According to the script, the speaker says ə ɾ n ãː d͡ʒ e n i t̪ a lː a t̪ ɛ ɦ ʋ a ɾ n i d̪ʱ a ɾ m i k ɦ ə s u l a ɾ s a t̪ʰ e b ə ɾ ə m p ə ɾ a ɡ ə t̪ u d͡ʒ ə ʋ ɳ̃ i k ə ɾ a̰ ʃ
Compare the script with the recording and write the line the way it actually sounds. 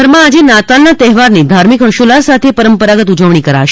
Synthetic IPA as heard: ə ɾ m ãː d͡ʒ e n a t̪ a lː a t̪ ɛ ɦ ʋ a ɾ n i d̪ʱ a ɾ m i k ɦ ə ʃ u l a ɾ s a t̪ʰ e p ə ɾ ə m p ə ɾ a ɡ ə t̪ u d͡ʒ ə ʋ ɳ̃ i k ə ɾ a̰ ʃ